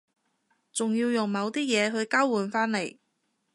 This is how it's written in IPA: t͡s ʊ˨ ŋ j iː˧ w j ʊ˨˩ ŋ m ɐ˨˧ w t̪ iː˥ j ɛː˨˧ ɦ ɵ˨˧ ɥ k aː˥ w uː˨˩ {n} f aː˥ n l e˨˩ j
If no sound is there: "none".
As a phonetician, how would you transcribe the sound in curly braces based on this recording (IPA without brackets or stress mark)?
n